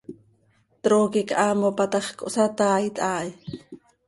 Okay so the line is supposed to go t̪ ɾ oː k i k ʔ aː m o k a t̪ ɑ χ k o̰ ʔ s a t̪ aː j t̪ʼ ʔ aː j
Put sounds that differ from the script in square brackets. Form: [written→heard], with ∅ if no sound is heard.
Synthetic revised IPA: t̪ ɾ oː k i k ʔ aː m o [k→p] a t̪ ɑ χ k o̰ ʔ s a t̪ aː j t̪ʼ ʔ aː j